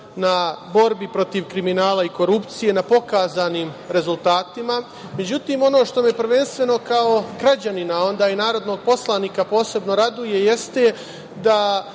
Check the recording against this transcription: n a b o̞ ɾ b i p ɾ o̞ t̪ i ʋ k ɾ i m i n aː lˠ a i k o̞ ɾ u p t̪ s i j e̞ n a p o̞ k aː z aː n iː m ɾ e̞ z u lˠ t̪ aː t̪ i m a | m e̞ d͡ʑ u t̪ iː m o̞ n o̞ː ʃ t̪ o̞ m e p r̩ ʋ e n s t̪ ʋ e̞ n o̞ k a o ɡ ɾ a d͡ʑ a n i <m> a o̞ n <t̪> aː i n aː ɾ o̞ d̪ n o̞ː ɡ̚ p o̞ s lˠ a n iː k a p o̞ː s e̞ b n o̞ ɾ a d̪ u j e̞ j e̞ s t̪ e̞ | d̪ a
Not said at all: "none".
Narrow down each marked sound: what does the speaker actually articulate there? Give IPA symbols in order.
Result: n, d̪

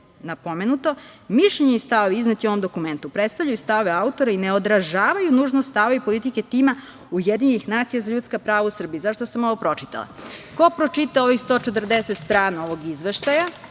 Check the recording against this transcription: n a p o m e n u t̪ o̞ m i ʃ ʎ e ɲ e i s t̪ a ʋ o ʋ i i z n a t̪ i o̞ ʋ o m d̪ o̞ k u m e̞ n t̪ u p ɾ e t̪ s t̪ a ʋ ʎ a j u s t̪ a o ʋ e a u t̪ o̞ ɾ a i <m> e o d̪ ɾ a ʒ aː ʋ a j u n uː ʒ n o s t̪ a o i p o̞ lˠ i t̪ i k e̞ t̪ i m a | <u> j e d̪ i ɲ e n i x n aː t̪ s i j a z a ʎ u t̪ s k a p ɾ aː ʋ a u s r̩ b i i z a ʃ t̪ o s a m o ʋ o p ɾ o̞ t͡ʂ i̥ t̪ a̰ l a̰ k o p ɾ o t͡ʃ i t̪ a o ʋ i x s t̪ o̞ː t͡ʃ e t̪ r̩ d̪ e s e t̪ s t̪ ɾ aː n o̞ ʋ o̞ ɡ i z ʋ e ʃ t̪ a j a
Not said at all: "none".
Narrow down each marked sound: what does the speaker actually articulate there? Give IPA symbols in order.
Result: n, u

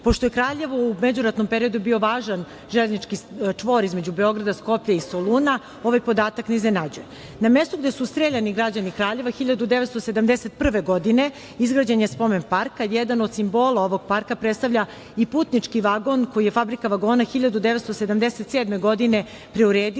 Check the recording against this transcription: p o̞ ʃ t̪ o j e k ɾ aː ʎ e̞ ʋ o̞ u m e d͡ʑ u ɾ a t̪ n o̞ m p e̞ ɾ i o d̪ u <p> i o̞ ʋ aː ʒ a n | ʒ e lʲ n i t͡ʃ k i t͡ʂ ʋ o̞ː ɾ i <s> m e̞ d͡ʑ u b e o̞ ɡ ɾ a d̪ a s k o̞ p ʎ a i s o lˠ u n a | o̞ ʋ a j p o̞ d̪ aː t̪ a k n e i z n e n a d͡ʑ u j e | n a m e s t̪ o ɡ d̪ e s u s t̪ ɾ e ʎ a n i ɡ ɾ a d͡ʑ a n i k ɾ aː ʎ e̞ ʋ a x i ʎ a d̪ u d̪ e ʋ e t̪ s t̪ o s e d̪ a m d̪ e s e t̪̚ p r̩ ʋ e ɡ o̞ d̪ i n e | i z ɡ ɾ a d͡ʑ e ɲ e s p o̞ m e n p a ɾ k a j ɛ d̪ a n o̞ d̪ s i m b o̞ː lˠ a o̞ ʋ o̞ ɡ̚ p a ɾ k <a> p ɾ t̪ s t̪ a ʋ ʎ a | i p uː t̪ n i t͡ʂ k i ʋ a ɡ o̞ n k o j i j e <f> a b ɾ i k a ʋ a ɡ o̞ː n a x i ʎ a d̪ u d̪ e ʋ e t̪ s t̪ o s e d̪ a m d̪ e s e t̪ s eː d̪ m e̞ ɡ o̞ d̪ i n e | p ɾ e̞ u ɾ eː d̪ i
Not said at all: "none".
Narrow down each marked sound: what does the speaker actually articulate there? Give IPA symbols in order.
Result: b, z, a, f

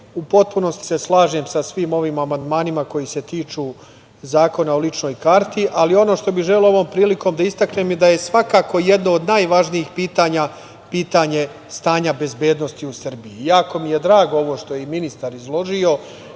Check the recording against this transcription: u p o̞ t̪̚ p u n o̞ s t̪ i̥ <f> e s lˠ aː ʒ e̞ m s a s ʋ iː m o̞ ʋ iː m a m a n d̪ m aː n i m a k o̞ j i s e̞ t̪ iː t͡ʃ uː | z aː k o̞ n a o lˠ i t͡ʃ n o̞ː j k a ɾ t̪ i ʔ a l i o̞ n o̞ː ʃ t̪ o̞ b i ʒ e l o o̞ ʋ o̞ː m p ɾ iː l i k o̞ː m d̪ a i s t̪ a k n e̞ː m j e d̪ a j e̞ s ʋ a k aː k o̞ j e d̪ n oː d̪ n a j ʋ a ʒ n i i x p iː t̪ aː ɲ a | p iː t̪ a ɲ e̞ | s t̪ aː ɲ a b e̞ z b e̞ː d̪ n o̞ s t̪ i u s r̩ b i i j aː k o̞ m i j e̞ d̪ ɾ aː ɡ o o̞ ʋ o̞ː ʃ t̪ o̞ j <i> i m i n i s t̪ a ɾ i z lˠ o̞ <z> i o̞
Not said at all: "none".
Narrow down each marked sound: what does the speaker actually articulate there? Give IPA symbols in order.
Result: s, e, ʒ

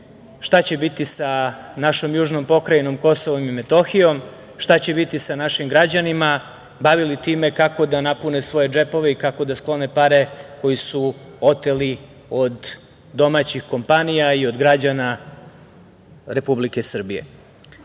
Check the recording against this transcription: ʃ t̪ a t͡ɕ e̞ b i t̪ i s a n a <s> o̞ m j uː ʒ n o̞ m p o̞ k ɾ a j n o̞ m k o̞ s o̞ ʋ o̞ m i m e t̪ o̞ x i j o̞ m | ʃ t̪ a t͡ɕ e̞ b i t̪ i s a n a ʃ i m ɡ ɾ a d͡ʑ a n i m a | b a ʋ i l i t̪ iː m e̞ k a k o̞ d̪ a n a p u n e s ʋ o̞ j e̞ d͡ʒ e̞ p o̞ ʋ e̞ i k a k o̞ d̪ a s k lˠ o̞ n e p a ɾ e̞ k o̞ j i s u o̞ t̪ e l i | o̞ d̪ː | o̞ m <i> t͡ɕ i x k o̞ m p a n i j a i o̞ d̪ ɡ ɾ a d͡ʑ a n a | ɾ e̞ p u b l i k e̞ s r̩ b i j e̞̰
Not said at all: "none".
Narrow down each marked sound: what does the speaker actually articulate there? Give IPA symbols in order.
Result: ʃ, a

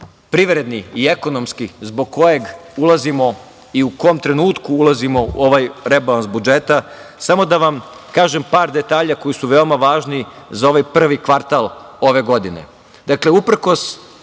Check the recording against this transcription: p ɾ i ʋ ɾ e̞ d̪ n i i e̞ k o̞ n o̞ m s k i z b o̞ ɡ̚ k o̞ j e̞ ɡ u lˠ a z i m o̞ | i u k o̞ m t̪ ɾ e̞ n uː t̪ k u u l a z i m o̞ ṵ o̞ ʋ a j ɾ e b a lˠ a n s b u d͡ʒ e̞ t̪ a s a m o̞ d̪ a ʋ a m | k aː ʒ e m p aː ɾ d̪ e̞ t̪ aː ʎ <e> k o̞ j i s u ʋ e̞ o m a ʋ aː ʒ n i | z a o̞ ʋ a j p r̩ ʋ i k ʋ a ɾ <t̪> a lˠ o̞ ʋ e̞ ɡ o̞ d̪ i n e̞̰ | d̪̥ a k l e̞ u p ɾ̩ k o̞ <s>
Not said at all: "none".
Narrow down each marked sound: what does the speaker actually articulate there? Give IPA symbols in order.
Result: a, t̪, s

